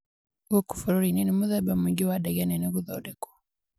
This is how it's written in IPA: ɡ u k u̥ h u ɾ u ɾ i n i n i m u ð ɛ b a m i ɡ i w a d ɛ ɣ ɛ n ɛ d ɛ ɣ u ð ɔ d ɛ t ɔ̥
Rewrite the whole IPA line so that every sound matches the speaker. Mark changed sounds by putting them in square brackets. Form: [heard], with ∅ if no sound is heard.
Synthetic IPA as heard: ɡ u k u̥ [f] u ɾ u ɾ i n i n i m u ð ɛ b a m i ɡ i w a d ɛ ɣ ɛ n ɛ [n] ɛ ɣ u ð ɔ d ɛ [k] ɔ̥